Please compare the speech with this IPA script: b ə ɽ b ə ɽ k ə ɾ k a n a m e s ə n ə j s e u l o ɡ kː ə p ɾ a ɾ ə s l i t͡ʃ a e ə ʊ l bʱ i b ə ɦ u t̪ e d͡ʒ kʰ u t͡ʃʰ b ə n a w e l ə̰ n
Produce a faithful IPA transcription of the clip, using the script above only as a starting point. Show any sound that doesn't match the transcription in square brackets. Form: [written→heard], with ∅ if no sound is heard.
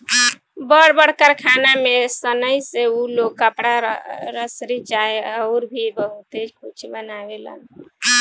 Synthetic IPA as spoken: b ə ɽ b ə ɽ k ə ɾ [k→kʰ] a n a m e s ə n ə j s e u l o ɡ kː ə p [ɾ→ɽ] a ɾ ə s [l→ɾ] i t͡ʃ a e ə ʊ [l→ɾ] bʱ i b ə ɦ u t̪ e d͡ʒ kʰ u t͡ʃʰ b ə n a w e l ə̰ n